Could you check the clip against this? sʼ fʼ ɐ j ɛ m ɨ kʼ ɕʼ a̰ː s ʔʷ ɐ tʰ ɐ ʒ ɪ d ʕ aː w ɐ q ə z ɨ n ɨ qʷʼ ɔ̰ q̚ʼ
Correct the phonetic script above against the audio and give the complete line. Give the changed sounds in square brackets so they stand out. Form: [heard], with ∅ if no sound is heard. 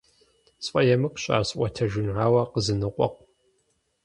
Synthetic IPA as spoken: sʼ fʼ ɐ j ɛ m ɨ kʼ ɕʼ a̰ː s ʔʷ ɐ tʰ ɐ ʒ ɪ [n] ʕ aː w ɐ q ə z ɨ n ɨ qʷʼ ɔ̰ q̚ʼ